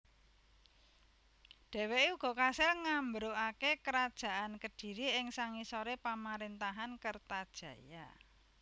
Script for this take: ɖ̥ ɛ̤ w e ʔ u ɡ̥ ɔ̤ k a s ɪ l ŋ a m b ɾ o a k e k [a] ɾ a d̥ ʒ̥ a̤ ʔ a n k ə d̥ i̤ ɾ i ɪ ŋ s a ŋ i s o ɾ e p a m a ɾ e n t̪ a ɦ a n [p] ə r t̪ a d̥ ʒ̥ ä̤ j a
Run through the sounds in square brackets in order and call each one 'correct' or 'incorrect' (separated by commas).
incorrect, incorrect